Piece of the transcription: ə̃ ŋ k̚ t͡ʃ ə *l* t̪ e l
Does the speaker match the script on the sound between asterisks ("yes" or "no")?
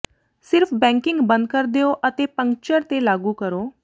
no